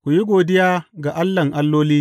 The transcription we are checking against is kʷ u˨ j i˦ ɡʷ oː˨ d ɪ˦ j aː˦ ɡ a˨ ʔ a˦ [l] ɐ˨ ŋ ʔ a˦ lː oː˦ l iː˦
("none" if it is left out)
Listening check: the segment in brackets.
lː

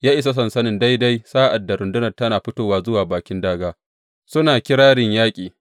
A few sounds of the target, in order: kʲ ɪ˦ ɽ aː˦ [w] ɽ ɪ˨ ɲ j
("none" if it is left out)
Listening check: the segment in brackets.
none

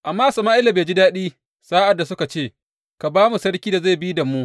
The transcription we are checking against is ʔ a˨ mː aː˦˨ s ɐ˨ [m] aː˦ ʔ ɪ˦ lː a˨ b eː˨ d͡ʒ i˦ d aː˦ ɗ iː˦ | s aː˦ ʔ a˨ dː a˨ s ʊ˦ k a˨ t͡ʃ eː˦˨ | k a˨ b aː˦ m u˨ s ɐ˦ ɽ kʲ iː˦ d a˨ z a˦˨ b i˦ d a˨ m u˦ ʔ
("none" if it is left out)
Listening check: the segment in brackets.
m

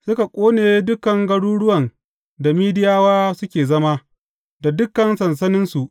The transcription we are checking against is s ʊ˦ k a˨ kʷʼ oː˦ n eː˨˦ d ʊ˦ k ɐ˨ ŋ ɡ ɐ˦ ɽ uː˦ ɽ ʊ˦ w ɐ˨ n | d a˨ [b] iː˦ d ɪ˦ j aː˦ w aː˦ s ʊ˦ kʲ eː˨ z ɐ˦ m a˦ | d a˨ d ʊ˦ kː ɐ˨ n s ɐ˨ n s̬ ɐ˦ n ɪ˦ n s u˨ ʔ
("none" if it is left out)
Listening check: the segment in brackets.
m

